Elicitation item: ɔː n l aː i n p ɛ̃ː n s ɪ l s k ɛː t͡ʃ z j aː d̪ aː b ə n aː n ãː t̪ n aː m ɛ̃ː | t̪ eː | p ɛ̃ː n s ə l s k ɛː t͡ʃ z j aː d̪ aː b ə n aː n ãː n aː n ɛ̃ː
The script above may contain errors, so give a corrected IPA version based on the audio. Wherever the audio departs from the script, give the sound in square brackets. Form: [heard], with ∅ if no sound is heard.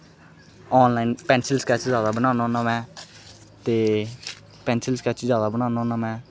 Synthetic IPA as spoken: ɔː n l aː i n p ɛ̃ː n s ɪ l s k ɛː t͡ʃ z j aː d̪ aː b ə n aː n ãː [∅] n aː m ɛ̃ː | t̪ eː | p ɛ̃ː n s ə l s k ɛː t͡ʃ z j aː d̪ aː b ə n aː n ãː n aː [m] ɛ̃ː